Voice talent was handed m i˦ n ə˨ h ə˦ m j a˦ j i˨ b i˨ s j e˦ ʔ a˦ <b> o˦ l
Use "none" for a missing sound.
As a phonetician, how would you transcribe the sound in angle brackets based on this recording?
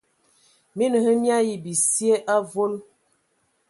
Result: v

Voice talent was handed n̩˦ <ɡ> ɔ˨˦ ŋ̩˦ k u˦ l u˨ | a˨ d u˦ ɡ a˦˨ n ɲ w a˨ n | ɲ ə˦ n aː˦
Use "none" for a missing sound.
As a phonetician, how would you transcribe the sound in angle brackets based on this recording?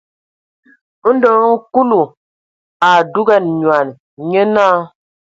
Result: d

